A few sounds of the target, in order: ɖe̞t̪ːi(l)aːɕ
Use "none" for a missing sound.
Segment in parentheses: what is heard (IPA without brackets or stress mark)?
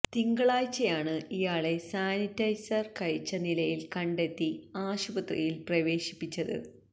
none